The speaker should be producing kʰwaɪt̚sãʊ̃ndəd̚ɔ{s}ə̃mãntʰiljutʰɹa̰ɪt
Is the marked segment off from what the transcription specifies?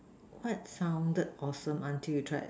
no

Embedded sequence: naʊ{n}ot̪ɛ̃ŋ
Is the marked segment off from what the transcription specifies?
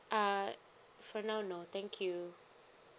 no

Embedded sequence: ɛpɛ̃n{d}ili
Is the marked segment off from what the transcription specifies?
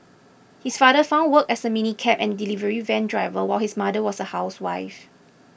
no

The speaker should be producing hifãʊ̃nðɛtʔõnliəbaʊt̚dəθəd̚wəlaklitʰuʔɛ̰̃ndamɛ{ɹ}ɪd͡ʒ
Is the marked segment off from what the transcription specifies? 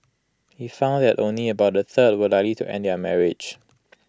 no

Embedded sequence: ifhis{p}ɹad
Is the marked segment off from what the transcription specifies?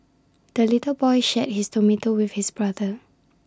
yes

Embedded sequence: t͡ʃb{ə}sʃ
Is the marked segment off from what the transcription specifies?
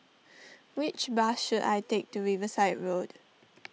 yes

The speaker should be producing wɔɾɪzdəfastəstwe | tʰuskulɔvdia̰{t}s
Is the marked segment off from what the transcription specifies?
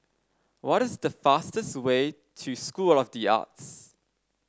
no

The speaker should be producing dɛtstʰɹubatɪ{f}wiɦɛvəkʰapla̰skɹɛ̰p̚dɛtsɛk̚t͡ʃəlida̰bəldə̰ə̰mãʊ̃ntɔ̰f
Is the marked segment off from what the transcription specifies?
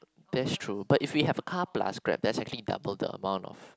no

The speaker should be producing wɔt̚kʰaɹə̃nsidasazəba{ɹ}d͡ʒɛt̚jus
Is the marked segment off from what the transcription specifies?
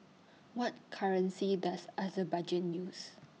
yes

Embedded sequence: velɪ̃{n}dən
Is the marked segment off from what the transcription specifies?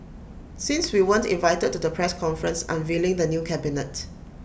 yes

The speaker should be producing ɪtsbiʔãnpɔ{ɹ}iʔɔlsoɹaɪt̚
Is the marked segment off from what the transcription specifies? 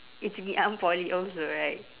yes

